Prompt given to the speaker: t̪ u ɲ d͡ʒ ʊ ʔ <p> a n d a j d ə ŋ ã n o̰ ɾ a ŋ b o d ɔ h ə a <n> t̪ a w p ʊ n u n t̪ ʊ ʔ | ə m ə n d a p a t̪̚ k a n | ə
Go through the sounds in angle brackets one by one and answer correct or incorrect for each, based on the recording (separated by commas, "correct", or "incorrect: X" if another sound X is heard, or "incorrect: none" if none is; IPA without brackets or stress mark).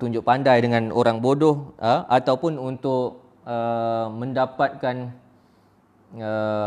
correct, incorrect: none